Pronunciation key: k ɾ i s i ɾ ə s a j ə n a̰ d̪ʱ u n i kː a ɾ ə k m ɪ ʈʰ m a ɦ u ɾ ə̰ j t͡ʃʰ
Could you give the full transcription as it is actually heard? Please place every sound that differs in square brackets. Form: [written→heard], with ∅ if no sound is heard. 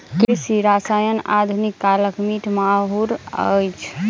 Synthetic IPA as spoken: k ɾ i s i ɾ [ə→a] s a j ə n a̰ d̪ʱ u n i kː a [ɾ→l] ə k m [ɪ→i] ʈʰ m a ɦ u ɾ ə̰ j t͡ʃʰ